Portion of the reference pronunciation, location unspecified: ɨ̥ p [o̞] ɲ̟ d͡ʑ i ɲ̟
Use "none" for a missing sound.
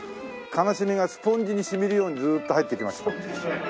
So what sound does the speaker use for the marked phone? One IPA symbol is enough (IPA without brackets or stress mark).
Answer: õ̞